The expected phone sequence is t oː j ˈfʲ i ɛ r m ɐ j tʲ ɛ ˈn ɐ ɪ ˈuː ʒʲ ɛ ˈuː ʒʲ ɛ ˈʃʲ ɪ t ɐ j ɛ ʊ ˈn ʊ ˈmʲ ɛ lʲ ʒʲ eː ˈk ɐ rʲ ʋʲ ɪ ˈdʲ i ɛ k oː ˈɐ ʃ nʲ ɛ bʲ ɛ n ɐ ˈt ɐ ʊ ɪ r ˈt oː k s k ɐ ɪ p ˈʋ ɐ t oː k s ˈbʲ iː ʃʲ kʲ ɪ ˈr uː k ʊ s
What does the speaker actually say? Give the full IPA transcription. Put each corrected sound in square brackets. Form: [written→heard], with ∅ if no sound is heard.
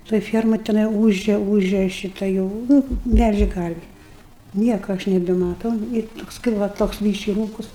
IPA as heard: t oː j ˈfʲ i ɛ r m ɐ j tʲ ɛ ˈn ɐ ɪ ˈuː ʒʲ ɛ ˈuː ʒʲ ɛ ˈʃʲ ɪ t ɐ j ɛ ʊ ˈn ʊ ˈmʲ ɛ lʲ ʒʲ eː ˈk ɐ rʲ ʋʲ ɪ [ˈdʲ→ˈnʲ] i ɛ k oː ˈɐ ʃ nʲ ɛ bʲ ɛ [n→m] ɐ ˈt ɐ ʊ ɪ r ˈt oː k s k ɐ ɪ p ˈʋ ɐ t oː k s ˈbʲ iː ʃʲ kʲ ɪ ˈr uː k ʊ s

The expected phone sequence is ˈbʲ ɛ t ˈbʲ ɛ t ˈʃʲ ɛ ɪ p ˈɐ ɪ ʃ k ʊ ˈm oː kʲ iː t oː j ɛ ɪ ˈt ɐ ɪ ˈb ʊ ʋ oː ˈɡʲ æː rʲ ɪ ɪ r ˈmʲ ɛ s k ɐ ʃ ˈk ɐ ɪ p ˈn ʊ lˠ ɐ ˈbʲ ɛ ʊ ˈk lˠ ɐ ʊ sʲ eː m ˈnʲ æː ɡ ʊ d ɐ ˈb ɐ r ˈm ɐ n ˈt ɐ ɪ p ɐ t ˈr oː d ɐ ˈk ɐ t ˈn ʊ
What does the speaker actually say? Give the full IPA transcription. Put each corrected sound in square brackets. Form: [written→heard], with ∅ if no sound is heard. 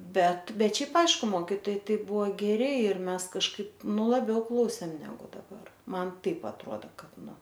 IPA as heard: ˈbʲ ɛ t ˈbʲ ɛ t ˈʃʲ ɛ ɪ p ˈɐ ɪ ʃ k ʊ ˈm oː kʲ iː t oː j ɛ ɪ ˈt ɐ ɪ ˈb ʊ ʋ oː ˈɡʲ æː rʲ ɪ ɪ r ˈmʲ ɛ s k ɐ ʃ ˈk ɐ ɪ p ˈn ʊ lˠ ɐ ˈbʲ ɛ ʊ ˈk lˠ ɐ ʊ sʲ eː m ˈnʲ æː ɡ ʊ d ɐ ˈb ɐ r ˈm ɐ n ˈt ɐ ɪ p ɐ t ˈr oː d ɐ ˈk ɐ t ˈn ʊ

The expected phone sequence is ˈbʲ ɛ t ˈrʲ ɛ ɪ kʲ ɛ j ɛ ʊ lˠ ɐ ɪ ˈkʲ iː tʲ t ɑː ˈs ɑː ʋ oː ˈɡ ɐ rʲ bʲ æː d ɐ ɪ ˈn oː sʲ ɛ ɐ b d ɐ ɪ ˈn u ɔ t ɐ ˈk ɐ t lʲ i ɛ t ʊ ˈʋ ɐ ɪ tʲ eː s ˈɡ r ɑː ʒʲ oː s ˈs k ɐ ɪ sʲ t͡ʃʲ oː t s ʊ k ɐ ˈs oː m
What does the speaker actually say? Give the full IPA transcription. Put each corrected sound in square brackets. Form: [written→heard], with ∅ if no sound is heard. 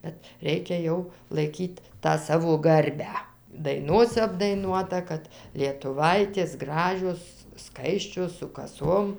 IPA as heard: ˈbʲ ɛ t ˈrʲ ɛ ɪ kʲ ɛ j ɛ ʊ lˠ ɐ ɪ ˈkʲ iː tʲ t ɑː ˈs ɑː ʋ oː ˈɡ ɐ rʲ bʲ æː d ɐ ɪ ˈn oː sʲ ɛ ɐ b d ɐ ɪ ˈn u ɔ t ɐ ˈk ɐ t lʲ i ɛ t ʊ ˈʋ ɐ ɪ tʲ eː s ˈɡ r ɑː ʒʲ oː s ˈs k ɐ ɪ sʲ t͡ʃʲ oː [t→s] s ʊ k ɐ ˈs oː m

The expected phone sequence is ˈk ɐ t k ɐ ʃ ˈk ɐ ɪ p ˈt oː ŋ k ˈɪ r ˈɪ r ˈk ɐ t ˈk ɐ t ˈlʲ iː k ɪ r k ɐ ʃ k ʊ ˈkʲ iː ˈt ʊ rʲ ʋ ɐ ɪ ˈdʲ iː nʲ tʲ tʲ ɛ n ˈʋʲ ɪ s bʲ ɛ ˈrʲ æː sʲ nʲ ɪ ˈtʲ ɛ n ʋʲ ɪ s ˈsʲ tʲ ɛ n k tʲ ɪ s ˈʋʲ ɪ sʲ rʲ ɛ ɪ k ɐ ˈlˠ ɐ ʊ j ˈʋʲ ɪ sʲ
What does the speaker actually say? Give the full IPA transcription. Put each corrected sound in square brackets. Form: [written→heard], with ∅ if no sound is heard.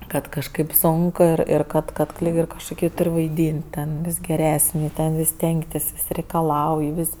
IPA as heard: ˈk ɐ t k ɐ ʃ ˈk ɐ ɪ p [ˈt→ˈs] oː ŋ k ˈɪ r ˈɪ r ˈk ɐ t ˈk ɐ t ˈlʲ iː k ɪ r k ɐ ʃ k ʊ ˈkʲ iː ˈt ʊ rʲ ʋ ɐ ɪ ˈdʲ iː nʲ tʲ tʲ ɛ n ˈʋʲ ɪ s [bʲ→ɡʲ] ɛ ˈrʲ æː sʲ nʲ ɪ ˈtʲ ɛ n ʋʲ ɪ s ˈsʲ tʲ ɛ [n→ŋ] k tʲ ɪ s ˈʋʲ ɪ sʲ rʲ ɛ ɪ k ɐ ˈlˠ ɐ ʊ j ˈʋʲ ɪ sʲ

